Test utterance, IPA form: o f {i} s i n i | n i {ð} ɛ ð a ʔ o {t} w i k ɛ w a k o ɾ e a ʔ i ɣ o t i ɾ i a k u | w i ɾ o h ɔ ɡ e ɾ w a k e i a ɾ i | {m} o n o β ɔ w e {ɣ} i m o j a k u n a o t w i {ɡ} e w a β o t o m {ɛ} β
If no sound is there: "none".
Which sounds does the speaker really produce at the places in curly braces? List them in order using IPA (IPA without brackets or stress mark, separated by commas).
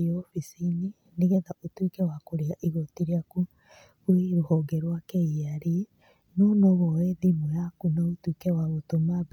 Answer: i, ɣ, t, n, ð, k, a